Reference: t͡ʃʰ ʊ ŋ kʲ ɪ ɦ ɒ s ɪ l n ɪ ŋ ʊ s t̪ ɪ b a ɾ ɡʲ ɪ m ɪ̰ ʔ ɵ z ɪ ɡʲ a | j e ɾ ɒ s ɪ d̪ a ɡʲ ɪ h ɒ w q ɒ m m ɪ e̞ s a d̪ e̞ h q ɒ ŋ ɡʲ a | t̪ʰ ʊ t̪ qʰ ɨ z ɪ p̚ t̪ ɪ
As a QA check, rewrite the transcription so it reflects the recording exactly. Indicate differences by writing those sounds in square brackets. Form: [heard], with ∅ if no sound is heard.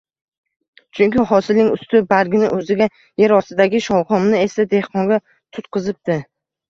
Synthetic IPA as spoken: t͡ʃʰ ʊ ŋ kʲ ɪ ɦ ɒ s ɪ l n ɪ ŋ ʊ s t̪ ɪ b a ɾ ɡʲ ɪ [n] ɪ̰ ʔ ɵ z ɪ ɡʲ a | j e ɾ ɒ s ɪ d̪ a ɡʲ ɪ [ʃ] ɒ w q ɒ m [n] ɪ e̞ s a d̪ e̞ h q ɒ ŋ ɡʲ a | t̪ʰ ʊ t̪ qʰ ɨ z ɪ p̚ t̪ ɪ